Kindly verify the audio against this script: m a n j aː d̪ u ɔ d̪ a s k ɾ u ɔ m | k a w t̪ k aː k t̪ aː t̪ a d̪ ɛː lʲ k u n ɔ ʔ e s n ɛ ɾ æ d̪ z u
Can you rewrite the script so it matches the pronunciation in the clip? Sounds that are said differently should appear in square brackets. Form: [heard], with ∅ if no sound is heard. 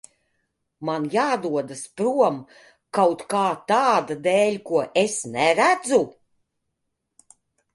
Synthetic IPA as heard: m a n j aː d̪ u ɔ d̪ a s [p] ɾ u ɔ m | k a w t̪ k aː [∅] t̪ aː [d̪] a d̪ ɛː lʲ k u [∅] ɔ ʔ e s n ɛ ɾ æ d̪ z u